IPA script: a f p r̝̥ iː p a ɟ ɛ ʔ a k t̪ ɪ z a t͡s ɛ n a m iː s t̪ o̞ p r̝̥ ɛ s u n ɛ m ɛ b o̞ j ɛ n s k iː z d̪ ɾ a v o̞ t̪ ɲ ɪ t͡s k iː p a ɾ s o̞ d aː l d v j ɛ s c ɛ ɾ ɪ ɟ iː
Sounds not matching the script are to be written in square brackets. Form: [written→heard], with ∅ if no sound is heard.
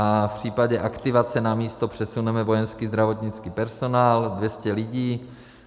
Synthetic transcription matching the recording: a f p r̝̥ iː p a ɟ ɛ ʔ a k t̪ ɪ [z→v] a t͡s ɛ n a m iː s t̪ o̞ p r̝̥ ɛ s u n ɛ m ɛ [b→v] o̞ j ɛ n s k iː z d̪ ɾ a v o̞ t̪ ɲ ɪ t͡s k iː p [a→ɛ] ɾ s o̞ [d→n] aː l d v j ɛ s c ɛ [ɾ→l] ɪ ɟ iː